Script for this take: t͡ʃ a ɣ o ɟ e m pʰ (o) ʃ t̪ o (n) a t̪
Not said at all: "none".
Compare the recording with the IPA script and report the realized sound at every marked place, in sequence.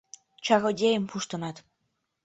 u, n

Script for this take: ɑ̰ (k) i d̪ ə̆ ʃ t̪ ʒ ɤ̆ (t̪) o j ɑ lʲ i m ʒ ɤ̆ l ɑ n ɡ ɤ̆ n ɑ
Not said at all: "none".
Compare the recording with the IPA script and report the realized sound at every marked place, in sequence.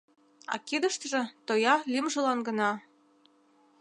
k, t̪

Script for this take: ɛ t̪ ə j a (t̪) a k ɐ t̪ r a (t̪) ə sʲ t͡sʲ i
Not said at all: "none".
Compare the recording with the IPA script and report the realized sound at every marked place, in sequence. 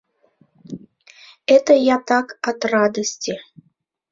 t̪, d̪

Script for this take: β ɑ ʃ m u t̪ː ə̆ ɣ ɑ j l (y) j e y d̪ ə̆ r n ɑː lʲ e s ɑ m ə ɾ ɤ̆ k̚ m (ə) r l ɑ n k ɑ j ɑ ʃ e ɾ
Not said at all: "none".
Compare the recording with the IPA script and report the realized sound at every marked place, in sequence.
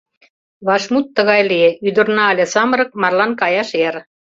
i, ɑ

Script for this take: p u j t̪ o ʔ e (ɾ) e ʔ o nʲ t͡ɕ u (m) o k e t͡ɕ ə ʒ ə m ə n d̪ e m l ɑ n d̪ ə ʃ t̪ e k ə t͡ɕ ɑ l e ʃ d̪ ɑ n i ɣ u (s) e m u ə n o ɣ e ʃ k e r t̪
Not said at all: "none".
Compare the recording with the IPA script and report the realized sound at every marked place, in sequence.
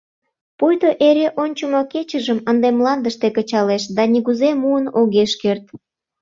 ɾ, m, z

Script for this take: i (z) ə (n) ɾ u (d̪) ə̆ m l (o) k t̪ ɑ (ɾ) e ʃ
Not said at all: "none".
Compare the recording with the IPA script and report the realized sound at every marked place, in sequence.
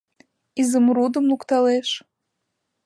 z, m, d̪, u, l

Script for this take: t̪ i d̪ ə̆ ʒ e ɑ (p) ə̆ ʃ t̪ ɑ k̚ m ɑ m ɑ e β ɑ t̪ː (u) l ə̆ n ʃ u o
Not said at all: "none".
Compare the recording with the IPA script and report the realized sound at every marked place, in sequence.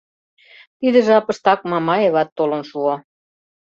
p, o

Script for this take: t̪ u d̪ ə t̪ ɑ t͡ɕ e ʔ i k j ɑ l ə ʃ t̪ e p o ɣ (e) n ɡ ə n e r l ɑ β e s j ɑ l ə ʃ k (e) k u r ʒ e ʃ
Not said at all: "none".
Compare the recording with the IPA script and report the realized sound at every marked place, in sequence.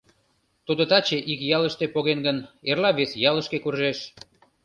e, e

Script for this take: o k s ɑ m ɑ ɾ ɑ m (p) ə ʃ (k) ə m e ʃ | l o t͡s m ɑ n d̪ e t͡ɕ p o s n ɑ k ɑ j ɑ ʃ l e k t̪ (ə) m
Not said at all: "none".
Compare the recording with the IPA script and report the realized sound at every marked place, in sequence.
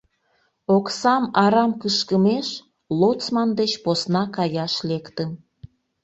k, k, ə

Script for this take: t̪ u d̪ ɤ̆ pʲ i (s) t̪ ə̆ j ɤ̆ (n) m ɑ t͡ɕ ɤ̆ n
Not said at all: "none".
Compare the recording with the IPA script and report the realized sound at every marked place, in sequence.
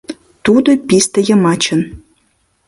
s, none

